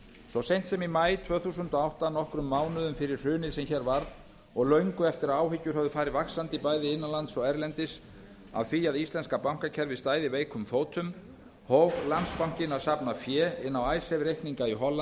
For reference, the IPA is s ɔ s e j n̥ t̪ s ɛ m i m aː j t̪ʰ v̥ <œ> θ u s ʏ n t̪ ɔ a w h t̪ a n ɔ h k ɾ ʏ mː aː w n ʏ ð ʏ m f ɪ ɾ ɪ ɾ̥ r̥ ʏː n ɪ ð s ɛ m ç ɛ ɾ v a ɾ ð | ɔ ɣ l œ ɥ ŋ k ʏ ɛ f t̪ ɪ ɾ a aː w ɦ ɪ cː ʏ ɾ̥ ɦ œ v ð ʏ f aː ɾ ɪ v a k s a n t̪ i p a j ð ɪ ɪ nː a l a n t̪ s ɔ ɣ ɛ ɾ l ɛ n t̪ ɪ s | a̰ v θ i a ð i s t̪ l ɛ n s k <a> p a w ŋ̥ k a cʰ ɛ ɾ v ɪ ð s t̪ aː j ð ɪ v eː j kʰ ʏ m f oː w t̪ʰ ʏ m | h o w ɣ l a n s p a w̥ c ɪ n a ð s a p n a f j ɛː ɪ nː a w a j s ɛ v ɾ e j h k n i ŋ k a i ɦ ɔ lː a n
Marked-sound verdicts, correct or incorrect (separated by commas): incorrect, correct